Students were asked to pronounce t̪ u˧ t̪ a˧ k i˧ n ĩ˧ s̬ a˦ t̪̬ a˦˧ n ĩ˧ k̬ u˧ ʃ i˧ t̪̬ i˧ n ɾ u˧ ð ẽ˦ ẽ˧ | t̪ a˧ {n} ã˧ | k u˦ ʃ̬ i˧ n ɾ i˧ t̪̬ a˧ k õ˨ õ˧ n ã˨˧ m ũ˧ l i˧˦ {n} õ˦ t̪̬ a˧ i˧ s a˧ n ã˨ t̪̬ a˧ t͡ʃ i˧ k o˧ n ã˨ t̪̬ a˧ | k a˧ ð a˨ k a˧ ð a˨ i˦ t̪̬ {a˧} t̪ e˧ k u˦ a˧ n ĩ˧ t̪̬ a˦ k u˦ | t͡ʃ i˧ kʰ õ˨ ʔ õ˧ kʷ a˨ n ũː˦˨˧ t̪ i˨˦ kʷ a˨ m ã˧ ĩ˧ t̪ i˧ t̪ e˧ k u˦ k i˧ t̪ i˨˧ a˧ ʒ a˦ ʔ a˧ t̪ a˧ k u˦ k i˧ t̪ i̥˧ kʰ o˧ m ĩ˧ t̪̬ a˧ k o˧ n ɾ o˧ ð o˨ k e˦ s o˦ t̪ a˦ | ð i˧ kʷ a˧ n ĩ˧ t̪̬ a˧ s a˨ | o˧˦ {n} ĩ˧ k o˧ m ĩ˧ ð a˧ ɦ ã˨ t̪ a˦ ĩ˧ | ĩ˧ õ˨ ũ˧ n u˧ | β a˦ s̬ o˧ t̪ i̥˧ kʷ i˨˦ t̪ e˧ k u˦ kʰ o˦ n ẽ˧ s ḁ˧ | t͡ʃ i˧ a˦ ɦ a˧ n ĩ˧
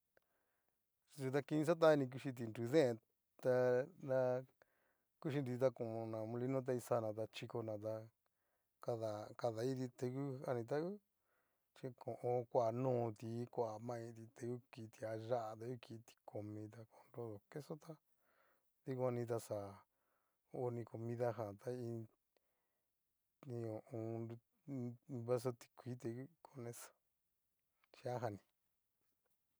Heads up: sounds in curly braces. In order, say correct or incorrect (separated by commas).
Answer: correct, correct, incorrect, correct